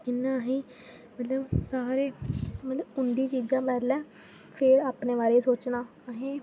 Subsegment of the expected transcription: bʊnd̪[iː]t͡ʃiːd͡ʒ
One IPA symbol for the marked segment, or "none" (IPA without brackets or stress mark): iː